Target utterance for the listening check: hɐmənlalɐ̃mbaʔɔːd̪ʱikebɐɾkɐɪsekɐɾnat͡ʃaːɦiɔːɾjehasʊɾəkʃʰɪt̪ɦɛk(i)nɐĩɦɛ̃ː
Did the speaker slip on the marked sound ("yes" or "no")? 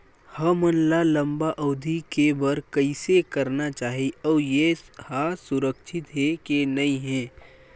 yes